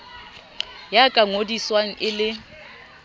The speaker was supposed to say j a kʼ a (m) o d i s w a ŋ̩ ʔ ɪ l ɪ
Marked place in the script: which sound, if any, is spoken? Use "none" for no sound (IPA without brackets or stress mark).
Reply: ŋ